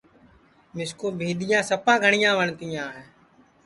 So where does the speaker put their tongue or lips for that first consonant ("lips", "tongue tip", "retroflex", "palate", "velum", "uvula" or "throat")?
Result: lips